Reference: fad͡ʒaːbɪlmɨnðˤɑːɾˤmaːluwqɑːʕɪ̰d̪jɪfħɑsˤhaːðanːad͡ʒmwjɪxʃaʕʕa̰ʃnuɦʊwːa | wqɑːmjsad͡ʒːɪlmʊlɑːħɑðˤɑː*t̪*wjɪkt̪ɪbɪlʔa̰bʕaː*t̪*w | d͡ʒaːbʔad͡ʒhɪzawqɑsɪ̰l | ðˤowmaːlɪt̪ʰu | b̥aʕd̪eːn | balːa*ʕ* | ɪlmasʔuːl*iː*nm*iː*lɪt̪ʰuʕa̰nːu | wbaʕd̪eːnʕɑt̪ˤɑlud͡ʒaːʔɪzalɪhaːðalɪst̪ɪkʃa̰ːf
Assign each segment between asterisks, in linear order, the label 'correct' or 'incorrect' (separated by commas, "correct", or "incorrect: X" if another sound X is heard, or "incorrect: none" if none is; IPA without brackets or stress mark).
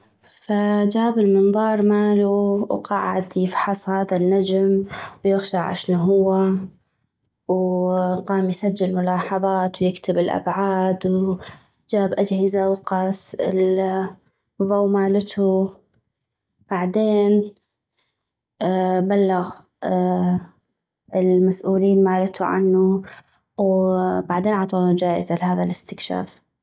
correct, incorrect: d̪, incorrect: ɣ, correct, incorrect: aː